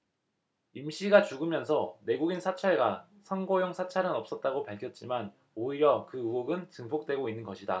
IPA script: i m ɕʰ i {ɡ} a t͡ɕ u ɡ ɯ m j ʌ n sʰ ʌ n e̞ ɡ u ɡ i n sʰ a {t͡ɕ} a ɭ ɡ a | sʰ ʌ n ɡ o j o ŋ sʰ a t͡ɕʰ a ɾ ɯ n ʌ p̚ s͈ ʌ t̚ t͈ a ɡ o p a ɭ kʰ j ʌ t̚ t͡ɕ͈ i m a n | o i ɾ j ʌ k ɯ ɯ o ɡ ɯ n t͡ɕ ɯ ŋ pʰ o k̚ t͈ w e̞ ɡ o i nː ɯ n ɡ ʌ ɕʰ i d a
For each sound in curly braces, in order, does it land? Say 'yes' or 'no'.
yes, no

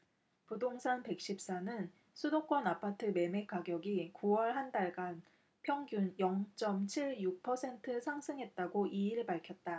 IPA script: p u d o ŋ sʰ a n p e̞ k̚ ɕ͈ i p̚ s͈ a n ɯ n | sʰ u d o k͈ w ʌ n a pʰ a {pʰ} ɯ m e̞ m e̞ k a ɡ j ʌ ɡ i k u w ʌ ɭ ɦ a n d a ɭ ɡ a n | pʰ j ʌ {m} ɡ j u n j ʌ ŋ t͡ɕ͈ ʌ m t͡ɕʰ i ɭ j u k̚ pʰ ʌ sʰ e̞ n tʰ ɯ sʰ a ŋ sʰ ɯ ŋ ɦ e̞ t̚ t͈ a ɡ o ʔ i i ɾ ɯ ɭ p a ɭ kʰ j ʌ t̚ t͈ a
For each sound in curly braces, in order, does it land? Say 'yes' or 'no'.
no, no

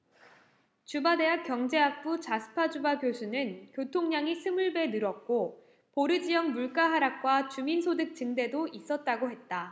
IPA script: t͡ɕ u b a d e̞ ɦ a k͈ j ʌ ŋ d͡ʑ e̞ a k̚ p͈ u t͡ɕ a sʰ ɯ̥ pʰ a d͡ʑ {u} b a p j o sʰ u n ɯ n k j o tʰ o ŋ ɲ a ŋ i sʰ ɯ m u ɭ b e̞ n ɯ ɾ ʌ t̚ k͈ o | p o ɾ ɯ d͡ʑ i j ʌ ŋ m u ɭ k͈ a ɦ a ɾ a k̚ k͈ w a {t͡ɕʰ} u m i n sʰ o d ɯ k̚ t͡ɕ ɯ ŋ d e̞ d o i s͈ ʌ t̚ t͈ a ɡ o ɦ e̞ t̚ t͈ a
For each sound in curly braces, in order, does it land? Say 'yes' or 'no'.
yes, no

